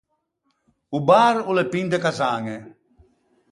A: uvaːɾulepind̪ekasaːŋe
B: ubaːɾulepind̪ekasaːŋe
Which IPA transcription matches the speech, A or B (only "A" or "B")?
B